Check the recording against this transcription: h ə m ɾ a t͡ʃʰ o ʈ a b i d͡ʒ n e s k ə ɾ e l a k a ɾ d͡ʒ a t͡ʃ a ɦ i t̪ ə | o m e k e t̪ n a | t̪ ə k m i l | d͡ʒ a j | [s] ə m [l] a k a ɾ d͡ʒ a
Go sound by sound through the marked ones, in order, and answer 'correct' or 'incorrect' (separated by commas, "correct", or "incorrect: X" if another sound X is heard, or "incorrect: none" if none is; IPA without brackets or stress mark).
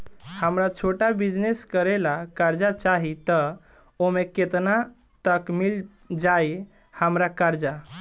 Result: incorrect: h, incorrect: ɾ